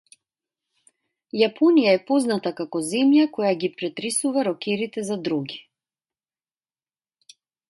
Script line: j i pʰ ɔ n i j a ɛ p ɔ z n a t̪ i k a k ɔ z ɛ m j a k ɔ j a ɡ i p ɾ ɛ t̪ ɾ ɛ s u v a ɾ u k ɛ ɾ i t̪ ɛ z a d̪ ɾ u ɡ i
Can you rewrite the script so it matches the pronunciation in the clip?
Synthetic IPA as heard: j a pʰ ɔ n i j a ɛ p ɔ z n a t̪ a k a k ɔ z ɛ m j a k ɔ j a ɡ i p ɾ ɛ t̪ ɾ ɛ s u v a ɾ ɔ k ɛ ɾ i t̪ ɛ z a d̪ ɾ u ɡ i